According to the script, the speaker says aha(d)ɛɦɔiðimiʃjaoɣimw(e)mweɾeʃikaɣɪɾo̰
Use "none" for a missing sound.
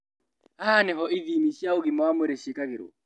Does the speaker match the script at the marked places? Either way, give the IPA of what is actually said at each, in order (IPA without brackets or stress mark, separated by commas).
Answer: n, a